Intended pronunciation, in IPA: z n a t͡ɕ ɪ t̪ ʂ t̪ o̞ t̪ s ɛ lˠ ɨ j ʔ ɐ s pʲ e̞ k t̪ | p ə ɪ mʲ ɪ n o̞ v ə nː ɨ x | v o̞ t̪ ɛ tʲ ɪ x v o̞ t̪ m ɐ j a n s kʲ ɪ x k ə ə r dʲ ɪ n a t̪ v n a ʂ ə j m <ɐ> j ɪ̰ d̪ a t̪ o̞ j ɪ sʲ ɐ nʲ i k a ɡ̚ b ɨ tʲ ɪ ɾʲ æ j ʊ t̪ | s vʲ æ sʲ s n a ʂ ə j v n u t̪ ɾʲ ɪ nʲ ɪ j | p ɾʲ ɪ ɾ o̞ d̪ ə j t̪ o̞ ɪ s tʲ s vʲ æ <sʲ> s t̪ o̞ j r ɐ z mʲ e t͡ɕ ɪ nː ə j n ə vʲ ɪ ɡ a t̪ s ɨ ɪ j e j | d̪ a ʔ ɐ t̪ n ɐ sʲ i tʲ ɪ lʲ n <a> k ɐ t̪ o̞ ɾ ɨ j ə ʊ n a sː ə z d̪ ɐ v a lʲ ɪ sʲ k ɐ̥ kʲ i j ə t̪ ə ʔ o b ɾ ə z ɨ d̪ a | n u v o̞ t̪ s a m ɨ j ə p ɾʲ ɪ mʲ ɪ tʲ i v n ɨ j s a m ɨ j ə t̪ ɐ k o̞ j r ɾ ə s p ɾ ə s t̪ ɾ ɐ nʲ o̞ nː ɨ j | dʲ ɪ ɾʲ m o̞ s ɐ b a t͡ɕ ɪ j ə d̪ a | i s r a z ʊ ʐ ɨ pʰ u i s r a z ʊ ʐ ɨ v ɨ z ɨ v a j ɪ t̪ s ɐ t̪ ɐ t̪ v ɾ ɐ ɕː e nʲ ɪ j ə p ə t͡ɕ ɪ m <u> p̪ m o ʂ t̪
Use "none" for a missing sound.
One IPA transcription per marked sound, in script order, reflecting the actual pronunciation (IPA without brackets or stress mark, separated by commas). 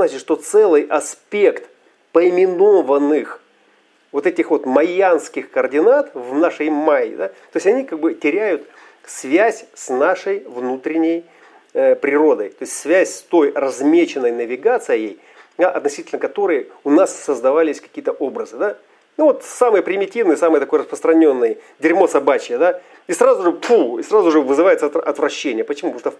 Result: a, sʲ, ə, u